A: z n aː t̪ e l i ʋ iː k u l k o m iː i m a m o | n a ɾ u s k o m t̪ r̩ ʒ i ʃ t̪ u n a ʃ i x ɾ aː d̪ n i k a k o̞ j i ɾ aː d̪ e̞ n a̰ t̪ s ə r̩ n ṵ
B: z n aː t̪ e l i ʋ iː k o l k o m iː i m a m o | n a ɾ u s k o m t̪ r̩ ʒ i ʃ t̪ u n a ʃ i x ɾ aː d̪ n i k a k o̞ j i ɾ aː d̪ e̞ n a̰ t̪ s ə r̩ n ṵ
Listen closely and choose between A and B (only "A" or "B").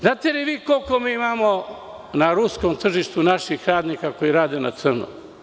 B